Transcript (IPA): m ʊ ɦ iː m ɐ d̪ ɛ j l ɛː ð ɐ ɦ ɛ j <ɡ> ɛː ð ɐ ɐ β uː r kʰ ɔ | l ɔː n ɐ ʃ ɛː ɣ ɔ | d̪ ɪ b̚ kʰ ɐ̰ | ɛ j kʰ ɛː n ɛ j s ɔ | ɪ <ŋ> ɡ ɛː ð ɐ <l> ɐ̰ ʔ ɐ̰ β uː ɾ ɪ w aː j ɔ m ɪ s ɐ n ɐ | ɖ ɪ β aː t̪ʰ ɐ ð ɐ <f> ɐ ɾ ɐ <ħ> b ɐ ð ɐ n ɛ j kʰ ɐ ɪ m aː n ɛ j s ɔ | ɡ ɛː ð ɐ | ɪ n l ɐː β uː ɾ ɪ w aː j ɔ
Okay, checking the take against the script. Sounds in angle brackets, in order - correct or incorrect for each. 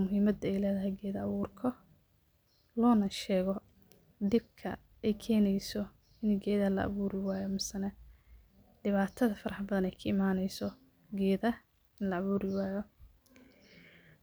correct, incorrect: n, correct, correct, correct

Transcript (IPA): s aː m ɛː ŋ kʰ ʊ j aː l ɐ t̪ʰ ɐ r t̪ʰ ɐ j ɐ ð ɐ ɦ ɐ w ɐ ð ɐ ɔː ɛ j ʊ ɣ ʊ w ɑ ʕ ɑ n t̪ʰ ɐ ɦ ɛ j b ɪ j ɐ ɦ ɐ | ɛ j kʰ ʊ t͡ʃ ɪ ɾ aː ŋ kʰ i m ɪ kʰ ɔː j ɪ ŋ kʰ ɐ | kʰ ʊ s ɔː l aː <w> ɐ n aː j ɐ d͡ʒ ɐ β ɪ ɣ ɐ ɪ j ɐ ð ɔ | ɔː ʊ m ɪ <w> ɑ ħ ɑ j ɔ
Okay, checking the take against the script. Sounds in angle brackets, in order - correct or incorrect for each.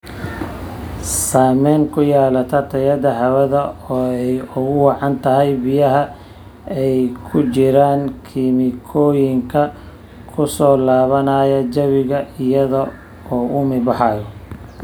incorrect: β, incorrect: b

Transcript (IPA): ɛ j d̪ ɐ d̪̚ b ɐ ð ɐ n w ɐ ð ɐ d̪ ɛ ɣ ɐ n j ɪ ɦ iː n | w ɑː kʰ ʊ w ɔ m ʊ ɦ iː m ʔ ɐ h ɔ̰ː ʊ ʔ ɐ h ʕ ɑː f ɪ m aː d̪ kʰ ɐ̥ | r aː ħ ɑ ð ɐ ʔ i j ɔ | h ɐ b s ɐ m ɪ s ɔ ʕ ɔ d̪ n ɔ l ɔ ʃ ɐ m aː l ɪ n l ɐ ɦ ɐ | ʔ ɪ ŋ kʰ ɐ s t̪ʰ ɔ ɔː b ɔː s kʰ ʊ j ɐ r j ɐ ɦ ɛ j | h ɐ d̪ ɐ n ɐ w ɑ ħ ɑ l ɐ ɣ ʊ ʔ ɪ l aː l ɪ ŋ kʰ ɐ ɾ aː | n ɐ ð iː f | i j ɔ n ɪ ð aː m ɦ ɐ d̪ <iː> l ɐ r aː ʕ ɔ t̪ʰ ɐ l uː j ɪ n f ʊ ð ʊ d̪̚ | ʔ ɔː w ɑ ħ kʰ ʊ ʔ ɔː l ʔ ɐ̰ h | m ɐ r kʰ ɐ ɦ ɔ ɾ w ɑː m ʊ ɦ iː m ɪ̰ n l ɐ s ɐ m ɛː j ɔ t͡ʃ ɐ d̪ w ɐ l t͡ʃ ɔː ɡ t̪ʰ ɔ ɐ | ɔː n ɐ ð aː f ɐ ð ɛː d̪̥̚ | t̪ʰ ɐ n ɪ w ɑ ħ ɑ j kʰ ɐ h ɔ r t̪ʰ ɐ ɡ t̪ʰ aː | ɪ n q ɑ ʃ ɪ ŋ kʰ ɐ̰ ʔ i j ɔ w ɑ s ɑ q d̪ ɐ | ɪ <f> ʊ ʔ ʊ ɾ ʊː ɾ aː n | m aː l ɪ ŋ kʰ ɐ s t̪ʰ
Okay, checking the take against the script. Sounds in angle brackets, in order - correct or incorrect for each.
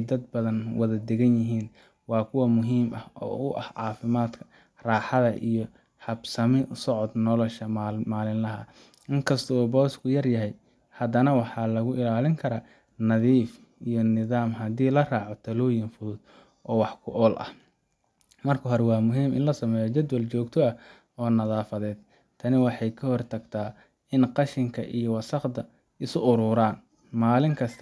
correct, incorrect: s

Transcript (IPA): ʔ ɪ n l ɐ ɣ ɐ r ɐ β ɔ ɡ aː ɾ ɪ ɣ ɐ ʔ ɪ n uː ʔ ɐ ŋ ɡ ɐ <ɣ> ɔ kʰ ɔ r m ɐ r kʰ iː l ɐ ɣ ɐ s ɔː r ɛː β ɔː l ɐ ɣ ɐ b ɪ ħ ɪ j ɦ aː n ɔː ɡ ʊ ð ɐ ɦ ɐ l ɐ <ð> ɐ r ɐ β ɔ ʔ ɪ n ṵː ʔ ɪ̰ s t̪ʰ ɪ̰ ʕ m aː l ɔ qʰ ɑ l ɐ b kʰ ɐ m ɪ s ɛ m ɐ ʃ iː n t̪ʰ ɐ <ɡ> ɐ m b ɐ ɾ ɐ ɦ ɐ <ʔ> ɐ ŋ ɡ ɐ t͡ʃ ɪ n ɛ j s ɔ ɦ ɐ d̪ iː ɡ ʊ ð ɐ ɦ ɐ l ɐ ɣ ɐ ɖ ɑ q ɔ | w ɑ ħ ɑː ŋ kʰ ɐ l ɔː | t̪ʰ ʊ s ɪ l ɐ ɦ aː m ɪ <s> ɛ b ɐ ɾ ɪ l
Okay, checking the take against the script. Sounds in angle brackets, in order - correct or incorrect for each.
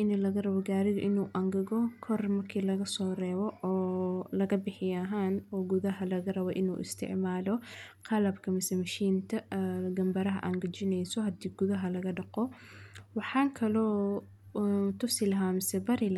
correct, incorrect: ɣ, correct, correct, correct

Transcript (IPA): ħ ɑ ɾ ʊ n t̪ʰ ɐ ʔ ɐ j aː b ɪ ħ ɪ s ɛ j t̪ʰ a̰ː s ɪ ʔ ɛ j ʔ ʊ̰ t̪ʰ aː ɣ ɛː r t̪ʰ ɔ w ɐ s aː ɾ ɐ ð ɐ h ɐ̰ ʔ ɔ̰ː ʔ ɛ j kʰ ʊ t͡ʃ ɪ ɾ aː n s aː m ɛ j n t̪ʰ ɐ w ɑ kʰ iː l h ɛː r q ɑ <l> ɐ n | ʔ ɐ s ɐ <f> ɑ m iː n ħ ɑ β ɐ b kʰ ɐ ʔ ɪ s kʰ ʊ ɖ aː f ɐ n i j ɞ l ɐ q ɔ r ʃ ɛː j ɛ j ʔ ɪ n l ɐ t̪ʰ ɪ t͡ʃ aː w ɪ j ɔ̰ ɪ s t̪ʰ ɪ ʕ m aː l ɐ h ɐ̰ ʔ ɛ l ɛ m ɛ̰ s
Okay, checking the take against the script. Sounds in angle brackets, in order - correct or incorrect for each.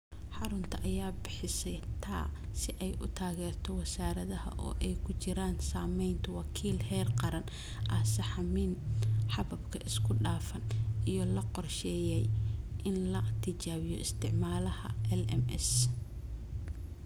incorrect: ɾ, incorrect: ħ

